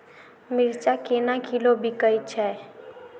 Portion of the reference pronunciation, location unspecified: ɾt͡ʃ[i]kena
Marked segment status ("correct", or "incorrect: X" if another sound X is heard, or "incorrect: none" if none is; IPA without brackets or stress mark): incorrect: a